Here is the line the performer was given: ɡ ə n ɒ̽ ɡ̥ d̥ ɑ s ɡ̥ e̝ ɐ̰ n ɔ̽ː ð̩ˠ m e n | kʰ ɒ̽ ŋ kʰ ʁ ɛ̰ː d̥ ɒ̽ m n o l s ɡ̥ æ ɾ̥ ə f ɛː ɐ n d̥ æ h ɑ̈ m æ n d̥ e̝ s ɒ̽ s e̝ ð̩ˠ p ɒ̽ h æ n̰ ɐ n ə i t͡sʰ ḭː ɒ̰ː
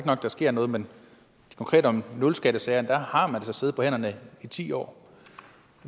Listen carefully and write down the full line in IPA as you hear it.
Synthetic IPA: ɡ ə n ɒ̽ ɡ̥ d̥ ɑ s ɡ̥ e̝ ɐ̰ n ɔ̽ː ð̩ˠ m e n | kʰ ɒ̽ ŋ kʰ ʁ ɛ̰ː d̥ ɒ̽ m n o l s ɡ̥ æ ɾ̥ ə s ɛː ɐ n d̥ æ h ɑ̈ m æ n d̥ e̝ s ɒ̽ s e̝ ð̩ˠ p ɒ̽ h e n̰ ɐ n ə i t͡sʰ ḭː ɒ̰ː